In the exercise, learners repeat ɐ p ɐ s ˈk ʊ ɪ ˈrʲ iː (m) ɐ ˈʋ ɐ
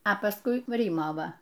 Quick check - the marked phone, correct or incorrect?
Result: correct